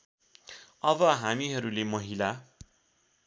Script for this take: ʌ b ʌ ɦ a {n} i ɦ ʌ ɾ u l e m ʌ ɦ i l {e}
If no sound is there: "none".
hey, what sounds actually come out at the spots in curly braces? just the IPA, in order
m, a

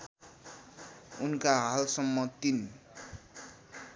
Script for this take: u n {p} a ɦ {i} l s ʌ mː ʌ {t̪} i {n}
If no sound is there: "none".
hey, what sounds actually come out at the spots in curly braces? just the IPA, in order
k, a, t̪, n

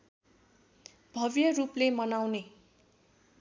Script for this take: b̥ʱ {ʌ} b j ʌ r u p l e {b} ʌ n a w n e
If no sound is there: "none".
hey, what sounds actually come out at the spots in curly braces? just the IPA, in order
ʌ, m

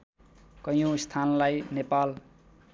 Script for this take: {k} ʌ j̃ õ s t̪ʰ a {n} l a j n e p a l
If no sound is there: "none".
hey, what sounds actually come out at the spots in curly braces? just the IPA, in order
k, n

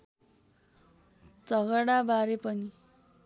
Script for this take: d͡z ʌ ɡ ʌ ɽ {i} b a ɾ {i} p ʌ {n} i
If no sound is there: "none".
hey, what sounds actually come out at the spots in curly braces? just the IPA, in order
a, e, n

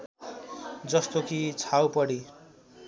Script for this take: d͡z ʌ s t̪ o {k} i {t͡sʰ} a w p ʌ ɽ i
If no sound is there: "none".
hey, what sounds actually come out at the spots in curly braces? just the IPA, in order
k, t͡sʰ

